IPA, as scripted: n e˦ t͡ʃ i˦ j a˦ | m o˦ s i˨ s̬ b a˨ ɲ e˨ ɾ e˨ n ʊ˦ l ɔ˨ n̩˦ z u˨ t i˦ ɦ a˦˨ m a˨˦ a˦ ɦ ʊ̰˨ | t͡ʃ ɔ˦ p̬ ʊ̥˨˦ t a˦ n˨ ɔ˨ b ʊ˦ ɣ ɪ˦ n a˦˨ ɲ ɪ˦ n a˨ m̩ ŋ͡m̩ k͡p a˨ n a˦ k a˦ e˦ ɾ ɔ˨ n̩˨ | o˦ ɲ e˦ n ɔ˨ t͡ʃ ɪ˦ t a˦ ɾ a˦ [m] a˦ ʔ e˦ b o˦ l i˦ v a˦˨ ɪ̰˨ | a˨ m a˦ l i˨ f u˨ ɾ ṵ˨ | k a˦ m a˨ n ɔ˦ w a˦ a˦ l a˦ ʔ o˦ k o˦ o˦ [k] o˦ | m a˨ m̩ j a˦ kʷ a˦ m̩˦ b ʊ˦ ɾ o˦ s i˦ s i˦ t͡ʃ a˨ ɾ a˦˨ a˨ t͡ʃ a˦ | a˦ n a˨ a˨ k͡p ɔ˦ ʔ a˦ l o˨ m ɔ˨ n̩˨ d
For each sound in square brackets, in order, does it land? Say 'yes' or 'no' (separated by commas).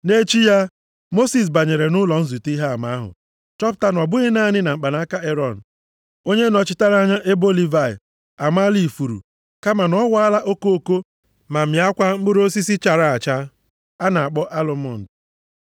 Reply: no, yes